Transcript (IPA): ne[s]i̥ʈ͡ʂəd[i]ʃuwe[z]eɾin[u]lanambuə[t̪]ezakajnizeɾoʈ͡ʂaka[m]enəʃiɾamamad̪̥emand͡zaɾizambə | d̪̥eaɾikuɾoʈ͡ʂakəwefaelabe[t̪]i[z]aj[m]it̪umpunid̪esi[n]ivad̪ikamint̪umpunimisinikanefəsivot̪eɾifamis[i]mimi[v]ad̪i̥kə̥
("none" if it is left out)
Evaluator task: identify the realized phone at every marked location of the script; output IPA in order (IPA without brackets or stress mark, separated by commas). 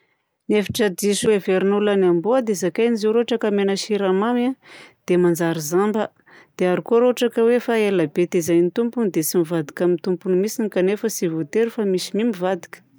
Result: f, i, v, u, d̪, m, t̪, z, n, m, i, v